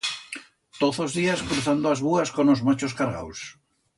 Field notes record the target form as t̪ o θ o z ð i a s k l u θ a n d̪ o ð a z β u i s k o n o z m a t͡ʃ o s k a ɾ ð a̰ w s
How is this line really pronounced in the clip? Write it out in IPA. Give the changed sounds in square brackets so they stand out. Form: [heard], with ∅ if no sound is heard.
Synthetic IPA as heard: t̪ o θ o z ð i a s k [ɾ] u θ a n d̪ o [∅] a z β u [a] s k o n o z m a t͡ʃ o s k a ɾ [ɣ] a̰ w s